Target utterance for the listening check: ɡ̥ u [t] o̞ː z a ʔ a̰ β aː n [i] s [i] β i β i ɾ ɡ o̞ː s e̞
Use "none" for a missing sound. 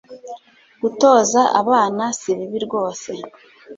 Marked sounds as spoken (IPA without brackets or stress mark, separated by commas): t, a, i